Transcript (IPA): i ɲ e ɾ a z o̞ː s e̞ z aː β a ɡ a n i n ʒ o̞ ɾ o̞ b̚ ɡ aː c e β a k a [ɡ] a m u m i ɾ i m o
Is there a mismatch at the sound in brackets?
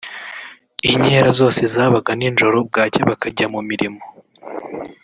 yes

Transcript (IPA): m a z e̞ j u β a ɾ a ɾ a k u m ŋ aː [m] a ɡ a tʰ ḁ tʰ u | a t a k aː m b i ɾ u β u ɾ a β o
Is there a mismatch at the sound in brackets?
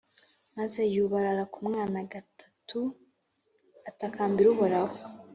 yes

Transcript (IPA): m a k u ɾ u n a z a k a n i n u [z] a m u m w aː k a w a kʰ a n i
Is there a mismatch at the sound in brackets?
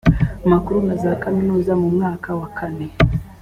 no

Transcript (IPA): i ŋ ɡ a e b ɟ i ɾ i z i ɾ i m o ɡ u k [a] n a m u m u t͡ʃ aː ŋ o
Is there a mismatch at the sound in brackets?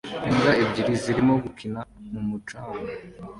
yes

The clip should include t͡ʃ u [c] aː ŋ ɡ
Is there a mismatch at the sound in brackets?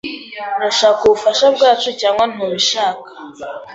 no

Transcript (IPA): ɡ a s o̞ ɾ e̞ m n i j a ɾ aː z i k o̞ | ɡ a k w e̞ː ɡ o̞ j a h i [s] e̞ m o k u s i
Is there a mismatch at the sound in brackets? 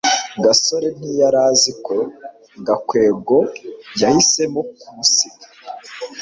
no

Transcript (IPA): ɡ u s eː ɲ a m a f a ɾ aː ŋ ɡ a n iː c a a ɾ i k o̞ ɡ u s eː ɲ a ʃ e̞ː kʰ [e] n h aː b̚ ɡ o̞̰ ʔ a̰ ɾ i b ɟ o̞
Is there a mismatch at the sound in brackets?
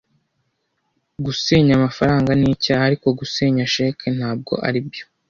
no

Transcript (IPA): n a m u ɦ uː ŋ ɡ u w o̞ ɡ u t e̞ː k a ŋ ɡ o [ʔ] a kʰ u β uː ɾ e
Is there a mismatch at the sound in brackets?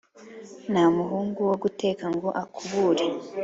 no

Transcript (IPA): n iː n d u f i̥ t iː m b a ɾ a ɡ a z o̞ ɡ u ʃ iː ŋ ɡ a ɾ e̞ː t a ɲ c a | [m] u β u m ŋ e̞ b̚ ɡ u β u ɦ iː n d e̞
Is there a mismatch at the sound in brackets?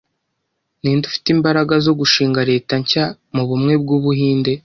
no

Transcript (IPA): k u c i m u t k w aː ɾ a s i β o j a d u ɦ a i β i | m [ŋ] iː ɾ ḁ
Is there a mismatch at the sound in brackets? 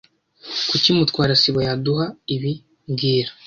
yes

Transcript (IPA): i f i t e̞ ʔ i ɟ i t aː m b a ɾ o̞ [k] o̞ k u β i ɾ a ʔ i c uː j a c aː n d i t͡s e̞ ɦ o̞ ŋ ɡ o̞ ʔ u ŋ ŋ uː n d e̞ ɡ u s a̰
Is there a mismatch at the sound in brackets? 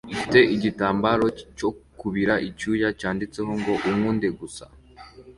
yes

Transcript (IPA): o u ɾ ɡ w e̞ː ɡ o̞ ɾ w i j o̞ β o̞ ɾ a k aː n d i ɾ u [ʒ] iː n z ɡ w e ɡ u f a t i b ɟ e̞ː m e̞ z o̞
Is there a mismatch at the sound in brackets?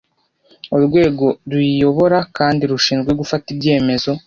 yes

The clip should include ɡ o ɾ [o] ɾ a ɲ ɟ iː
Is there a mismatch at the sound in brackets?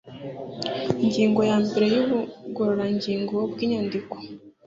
no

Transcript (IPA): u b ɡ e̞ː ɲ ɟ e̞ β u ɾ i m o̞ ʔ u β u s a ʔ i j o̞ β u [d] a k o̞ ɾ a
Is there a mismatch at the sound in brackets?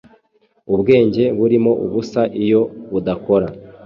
no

